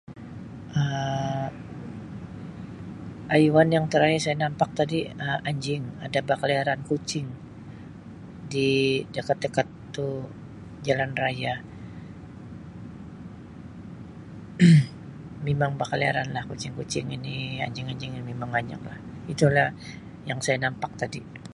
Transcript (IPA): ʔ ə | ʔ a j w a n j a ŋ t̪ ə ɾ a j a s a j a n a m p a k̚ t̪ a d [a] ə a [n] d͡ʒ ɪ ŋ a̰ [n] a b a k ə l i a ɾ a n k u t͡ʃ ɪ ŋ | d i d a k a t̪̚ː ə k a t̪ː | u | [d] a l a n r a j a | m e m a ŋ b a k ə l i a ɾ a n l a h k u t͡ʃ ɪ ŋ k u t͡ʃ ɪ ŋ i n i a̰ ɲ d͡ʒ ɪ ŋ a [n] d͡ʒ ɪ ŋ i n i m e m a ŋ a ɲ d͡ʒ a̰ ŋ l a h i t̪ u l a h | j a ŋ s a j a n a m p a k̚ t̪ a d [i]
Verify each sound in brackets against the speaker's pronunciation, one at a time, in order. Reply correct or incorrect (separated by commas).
incorrect, incorrect, incorrect, incorrect, incorrect, correct